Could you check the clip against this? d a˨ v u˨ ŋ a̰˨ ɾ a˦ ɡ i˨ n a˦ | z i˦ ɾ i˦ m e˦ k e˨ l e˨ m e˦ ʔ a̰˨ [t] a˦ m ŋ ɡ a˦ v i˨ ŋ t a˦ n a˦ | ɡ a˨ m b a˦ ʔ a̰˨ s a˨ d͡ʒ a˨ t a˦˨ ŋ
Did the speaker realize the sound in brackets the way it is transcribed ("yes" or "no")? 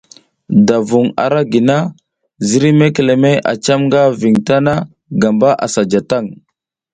no